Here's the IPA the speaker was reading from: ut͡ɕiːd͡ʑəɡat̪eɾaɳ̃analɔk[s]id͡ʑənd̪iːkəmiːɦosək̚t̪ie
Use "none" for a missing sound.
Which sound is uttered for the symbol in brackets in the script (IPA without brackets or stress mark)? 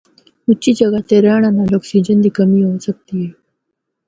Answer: s